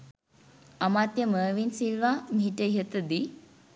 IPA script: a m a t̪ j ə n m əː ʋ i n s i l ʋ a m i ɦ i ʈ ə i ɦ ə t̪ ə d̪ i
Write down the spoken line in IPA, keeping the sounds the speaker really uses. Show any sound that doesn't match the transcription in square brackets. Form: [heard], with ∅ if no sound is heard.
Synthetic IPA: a m a t̪ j ə [∅] m əː ʋ i n s i l ʋ a m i ɦ i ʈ ə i ɦ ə t̪ ə d̪ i